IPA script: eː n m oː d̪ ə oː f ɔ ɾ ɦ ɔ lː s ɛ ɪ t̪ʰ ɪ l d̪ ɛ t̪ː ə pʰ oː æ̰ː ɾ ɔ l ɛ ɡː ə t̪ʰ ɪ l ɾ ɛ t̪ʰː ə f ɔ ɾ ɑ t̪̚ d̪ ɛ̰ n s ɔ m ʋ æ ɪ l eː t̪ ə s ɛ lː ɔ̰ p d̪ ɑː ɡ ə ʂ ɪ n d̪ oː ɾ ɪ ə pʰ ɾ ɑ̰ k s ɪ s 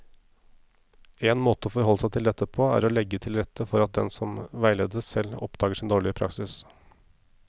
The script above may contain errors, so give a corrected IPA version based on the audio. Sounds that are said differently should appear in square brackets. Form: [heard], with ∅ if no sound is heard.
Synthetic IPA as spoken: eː n m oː [t̪] ə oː f ɔ ɾ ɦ ɔ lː s [æ] ɪ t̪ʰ ɪ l d̪ ɛ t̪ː ə pʰ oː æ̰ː ɾ ɔ l ɛ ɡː ə t̪ʰ ɪ l ɾ ɛ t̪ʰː ə f ɔ ɾ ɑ t̪̚ d̪ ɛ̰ n s ɔ m ʋ æ ɪ l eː [d̪] ə s ɛ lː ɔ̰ p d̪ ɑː ɡ ə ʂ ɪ n d̪ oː [ɭ] ɪ ə pʰ ɾ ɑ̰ k s ɪ s